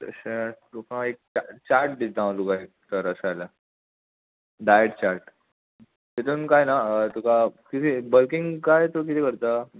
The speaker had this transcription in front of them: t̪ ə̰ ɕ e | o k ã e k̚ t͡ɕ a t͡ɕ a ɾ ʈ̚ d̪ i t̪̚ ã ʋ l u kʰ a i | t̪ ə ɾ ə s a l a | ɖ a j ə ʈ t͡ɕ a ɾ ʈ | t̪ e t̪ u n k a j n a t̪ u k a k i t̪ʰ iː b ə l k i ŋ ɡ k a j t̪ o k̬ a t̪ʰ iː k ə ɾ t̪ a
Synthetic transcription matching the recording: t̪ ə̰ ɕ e | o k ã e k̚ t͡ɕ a t͡ɕ a ɾ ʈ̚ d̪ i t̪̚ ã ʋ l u k a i | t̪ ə ɾ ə s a l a | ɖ a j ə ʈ t͡ɕ a ɾ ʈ | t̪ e t̪ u n k a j n a t̪ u k a k i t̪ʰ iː b ə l k i ŋ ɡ k a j t̪ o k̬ i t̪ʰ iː k ə ɾ t̪ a